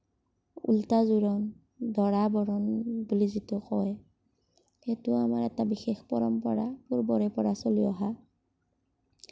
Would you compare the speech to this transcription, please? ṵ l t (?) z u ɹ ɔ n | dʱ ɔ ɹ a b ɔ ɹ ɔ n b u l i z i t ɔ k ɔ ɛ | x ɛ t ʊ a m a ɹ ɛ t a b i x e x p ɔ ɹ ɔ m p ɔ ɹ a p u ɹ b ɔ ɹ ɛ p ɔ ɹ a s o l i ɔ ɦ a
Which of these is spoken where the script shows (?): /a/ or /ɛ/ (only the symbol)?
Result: a